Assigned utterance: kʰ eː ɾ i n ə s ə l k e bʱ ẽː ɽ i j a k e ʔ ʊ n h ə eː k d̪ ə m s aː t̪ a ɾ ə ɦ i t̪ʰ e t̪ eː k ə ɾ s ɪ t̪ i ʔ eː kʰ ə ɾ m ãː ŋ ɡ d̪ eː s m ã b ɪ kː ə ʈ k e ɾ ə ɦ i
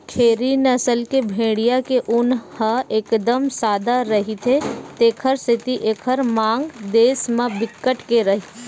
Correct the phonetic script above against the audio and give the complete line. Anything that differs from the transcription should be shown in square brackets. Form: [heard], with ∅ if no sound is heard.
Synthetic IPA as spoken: kʰ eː ɾ i n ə s ə l k e bʱ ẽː ɽ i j a k e ʔ ʊ n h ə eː k d̪ ə m s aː [d̪] a ɾ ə ɦ i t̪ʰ e t̪ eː [kʰ] ə ɾ s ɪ t̪ i ʔ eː kʰ ə ɾ m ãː ŋ ɡ d̪ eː s m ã b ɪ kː ə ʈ k e ɾ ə ɦ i